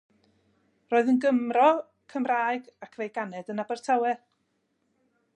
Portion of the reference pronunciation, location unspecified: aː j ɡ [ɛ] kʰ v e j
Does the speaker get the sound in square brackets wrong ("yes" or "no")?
yes